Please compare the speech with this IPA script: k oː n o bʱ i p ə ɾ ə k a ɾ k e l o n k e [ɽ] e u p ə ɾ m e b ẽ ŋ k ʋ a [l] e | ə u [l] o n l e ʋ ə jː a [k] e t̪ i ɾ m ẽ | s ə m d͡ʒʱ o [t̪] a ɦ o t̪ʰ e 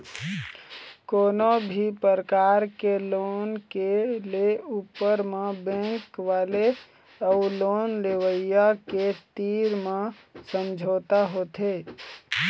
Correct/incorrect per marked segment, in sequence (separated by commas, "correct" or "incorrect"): incorrect, correct, correct, correct, correct